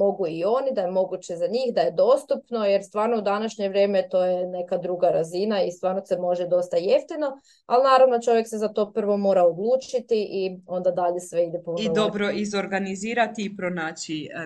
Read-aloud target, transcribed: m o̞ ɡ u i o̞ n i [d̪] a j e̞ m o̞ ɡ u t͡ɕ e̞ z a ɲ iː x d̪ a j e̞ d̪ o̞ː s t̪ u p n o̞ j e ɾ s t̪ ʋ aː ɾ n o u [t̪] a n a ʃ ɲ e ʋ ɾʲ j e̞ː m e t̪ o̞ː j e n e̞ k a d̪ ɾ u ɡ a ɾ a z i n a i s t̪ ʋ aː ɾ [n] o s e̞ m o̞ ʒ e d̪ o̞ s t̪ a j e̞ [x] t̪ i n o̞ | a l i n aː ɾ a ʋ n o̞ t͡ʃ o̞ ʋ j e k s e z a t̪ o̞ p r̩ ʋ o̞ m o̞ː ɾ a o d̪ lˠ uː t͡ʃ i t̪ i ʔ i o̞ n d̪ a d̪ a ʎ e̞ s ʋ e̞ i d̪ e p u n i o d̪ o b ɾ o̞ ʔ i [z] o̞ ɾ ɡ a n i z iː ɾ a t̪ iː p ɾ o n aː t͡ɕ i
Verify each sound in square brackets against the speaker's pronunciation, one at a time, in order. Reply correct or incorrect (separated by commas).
correct, incorrect, correct, incorrect, correct